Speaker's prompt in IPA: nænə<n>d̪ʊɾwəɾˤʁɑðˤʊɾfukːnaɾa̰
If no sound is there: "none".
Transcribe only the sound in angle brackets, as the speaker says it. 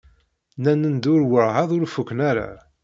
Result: n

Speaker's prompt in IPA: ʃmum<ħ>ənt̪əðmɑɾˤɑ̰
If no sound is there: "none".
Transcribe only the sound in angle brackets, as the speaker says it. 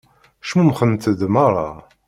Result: χ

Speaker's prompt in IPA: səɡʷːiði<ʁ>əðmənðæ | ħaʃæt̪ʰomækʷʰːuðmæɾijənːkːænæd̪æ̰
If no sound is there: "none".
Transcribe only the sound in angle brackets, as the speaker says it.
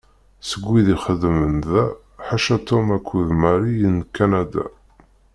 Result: χ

